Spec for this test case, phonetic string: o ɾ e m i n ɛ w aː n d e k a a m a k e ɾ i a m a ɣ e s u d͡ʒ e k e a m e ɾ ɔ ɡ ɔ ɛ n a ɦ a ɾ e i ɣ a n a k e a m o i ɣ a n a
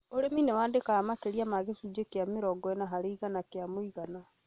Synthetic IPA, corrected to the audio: o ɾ e m i n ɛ w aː n d e k a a m a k e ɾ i a m a ɣ e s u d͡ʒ e k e a m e ɾ ɔ ɡ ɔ ɛ n a ɦ a ɾ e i ɣ a n a k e a m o i ɣ a n a

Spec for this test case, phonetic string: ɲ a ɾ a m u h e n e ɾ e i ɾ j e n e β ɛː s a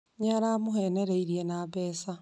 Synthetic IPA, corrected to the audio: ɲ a ɾ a m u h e n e ɾ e i ɾ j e n a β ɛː s a

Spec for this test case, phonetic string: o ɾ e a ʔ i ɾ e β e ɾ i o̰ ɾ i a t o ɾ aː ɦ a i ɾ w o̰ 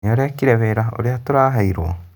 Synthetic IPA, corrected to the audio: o ɾ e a k i ɾ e β e ɾ a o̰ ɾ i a t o ɾ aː ɦ a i ɾ w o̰

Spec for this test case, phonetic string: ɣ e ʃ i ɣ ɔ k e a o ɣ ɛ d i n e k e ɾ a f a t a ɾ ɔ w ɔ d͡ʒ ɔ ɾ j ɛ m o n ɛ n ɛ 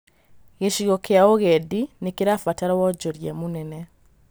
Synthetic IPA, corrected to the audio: ɣ e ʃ i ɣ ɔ k e a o ɣ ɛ d i n e k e ɾ a f a t a ɾ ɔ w ɔ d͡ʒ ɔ ɾ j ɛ m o n ɛ n ɛ

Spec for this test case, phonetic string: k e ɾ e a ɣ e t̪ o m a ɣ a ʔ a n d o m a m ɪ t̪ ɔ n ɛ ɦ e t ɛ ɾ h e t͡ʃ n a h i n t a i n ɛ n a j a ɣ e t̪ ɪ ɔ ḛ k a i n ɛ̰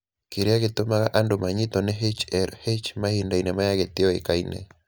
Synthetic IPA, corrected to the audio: k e ɾ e a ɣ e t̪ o m a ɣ a ʔ a n d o m a ɲ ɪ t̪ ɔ n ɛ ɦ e t͡ʃ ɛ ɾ h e t͡ʃ m a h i n d a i n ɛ m a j a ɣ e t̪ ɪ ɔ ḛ k a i n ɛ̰

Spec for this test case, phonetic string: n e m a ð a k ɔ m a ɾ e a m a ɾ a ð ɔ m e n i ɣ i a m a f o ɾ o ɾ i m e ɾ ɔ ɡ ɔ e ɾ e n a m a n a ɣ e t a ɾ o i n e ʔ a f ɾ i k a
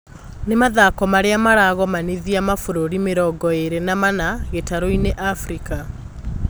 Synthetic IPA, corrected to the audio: n e m a ð a k ɔ m a ɾ e a m a ɾ a ɣ ɔ m a n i ð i a m a f o ɾ o ɾ i m e ɾ ɔ ɡ ɔ e ɾ e n a m a n a ɣ e t a ɾ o i n e ʔ a f ɾ i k a

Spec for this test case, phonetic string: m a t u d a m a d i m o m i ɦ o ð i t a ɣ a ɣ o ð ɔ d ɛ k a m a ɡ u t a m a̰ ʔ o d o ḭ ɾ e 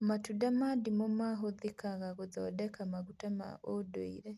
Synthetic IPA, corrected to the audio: m a t u d a m a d i m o m a ɦ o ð i k a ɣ a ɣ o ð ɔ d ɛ k a m a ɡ u t a m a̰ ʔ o d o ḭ ɾ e

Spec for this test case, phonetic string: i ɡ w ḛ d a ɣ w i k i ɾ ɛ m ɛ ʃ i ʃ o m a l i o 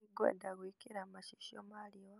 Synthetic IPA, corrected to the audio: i ɡ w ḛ d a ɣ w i k i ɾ a m a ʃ i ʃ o m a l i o

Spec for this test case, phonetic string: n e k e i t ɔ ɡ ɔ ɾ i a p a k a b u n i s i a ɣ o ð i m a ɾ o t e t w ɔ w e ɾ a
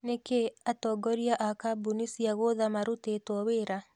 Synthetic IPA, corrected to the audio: n e k e a t ɔ ɡ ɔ ɾ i a ʔ a k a b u n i s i a ɣ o ð a m a ɾ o t e t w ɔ w e ɾ a

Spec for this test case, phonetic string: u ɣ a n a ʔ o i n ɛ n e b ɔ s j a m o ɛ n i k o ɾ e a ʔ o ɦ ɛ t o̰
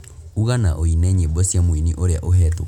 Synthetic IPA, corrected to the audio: u ɣ a n a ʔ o i n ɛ ɲ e b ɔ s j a m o i n i ʔ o ɾ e a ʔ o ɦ ɛ t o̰

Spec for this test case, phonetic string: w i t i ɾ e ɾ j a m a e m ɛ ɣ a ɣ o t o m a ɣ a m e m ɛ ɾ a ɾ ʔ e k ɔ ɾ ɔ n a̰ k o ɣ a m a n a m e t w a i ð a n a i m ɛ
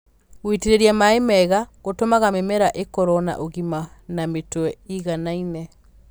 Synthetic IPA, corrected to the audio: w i t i ɾ e ɾ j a m a e m ɛ ɣ a ɣ o t o m a ɣ a m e m ɛ ɾ a ʔ e k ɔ ɾ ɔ n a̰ ʔ o ɣ i m a n a m e t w ɛ i ɣ a n a i n ɛ

